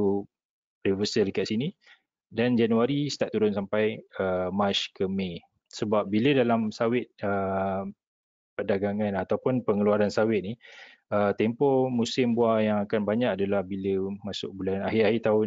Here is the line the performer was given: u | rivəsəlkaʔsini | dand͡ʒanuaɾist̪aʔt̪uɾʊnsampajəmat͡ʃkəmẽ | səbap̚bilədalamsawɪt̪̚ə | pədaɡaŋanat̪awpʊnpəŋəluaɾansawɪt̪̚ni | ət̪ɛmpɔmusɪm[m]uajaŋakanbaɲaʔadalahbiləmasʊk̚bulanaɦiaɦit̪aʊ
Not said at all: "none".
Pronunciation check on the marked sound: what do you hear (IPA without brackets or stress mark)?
b